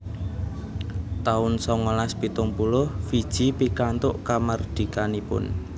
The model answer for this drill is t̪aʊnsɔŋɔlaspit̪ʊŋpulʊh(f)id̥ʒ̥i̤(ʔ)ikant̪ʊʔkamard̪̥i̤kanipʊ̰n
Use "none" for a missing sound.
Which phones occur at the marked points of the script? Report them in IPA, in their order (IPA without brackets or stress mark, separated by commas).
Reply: f, p